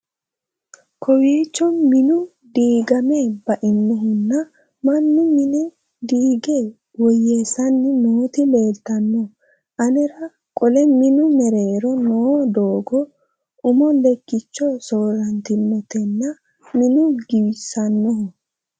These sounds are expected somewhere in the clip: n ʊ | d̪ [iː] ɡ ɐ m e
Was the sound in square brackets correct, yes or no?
yes